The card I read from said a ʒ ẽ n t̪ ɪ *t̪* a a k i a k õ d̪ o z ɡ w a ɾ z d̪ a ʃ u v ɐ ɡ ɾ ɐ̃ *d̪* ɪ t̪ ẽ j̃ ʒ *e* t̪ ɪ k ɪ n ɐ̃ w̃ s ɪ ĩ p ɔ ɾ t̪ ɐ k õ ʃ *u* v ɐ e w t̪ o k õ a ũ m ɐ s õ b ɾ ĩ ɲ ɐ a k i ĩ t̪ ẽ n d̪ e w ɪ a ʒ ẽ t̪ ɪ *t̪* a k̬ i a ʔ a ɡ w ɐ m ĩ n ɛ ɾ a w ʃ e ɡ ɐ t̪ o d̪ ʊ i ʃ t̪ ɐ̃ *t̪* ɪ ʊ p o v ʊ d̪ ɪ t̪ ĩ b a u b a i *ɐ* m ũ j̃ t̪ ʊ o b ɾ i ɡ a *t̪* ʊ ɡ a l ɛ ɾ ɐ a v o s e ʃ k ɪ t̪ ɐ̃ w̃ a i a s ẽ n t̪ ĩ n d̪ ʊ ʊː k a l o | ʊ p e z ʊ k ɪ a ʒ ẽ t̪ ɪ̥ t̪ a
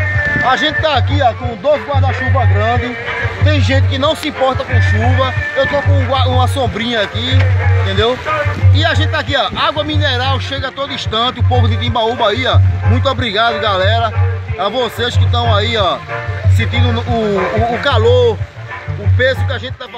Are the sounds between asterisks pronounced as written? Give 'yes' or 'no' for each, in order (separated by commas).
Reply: yes, yes, no, yes, yes, yes, no, no